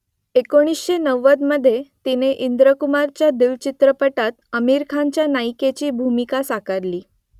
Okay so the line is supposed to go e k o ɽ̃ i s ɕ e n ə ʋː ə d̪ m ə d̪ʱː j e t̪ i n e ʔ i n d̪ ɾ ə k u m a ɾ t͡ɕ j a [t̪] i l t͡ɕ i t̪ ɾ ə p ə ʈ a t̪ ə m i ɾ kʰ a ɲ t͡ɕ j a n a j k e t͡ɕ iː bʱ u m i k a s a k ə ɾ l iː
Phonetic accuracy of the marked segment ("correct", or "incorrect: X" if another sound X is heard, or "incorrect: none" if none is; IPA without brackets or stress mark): incorrect: d̪